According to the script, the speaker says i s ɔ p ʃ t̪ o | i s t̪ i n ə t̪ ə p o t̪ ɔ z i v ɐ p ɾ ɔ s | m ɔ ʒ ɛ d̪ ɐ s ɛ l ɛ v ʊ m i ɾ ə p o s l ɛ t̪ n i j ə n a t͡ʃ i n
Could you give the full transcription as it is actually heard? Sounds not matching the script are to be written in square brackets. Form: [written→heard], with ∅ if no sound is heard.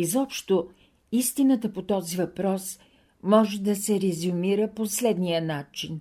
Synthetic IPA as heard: i [s→z] ɔ p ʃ t̪ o | i s t̪ i n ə t̪ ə p o t̪ ɔ z i v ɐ p ɾ ɔ s | m ɔ ʒ ɛ d̪ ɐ s ɛ [l→ɾ] ɛ [v→z] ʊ m i ɾ ə p o s l ɛ [t̪→d̪] n i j ə n a t͡ʃ i n